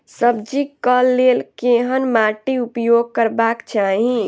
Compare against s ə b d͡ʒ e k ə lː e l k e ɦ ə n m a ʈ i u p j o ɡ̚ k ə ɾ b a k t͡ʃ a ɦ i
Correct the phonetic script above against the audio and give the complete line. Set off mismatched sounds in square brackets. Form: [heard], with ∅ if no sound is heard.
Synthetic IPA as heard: s ə b d͡ʒ [i] k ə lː e l k e ɦ ə n m a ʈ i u p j o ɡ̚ k ə ɾ b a k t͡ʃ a ɦ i